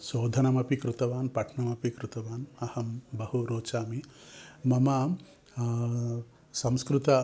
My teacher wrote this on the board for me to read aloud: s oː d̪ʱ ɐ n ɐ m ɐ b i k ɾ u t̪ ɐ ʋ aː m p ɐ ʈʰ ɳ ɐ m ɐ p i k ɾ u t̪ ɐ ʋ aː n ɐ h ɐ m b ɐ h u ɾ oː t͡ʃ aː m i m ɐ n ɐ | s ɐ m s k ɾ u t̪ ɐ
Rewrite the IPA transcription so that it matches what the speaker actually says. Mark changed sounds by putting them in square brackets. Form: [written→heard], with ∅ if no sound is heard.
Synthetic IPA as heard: s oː d̪ʱ ɐ n ɐ m ɐ [b→p] i k ɾ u t̪ ɐ ʋ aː [m→n] p ɐ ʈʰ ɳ ɐ m ɐ p i k ɾ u t̪ ɐ ʋ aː n ɐ h ɐ m b ɐ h u ɾ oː t͡ʃ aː m i m ɐ [n→m] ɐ | s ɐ m s k ɾ u t̪ ɐ